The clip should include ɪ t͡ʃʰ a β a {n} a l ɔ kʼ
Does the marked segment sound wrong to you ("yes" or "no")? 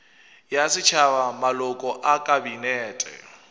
yes